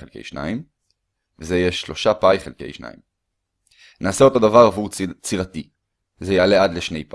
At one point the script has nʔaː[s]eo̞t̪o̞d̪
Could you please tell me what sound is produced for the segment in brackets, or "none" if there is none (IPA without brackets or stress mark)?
s